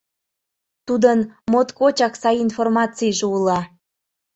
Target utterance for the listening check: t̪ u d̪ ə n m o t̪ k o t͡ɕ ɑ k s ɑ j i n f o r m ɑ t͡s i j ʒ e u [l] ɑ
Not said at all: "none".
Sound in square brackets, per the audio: l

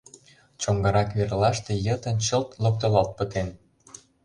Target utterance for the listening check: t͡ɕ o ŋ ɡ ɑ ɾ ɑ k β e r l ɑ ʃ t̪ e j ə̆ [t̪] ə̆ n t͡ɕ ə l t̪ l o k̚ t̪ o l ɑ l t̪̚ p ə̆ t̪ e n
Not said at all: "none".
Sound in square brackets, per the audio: t̪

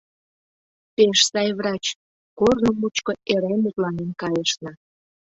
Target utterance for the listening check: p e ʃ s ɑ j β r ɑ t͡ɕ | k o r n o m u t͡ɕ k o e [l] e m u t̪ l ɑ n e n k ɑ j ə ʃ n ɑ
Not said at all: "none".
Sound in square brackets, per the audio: ɾ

